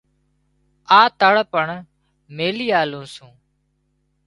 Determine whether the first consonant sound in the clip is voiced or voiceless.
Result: voiceless